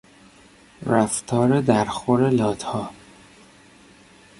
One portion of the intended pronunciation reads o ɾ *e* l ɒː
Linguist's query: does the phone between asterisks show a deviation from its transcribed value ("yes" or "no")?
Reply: no